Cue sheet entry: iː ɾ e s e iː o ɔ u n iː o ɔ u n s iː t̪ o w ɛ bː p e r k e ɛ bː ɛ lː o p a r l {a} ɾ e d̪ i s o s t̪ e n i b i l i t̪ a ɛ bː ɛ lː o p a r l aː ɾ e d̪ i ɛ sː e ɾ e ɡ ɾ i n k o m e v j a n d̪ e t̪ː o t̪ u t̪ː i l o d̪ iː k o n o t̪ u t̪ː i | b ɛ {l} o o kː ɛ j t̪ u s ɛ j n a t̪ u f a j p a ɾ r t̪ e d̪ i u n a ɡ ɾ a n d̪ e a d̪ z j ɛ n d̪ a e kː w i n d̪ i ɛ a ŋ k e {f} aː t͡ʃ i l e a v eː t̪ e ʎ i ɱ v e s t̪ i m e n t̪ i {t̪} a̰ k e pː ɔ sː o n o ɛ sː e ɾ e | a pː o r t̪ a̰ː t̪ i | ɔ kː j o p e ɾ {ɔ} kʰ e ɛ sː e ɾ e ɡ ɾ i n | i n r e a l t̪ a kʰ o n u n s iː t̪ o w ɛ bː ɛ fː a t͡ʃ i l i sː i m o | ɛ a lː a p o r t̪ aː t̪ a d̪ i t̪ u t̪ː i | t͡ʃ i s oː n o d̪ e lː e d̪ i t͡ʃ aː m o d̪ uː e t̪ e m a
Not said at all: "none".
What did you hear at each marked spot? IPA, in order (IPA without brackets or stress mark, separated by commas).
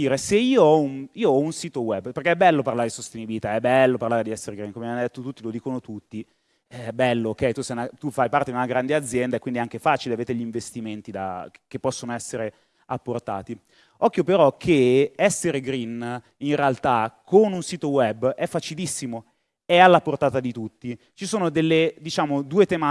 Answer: a, lː, f, d̪, ɔ